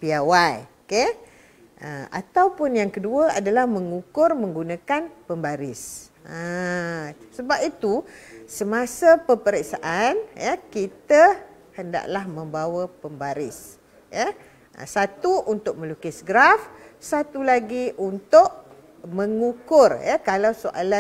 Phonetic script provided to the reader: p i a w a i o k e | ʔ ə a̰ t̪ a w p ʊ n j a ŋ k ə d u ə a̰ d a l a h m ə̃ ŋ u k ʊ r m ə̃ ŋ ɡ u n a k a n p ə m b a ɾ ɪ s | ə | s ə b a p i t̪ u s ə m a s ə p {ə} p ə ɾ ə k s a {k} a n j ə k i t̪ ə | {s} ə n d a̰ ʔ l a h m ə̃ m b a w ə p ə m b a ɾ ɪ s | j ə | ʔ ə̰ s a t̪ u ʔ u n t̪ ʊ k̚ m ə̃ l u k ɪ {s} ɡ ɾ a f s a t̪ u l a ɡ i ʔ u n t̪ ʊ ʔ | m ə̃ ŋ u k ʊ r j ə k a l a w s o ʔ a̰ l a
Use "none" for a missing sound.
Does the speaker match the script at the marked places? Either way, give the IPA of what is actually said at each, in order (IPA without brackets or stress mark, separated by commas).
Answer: ə, ʔ, h, s